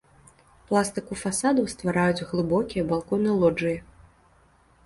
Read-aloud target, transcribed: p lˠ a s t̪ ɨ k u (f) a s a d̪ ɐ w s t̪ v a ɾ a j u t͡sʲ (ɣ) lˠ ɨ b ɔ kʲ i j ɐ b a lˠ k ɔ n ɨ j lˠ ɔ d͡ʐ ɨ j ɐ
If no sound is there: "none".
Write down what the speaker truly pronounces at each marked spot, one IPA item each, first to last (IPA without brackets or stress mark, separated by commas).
f, ɣ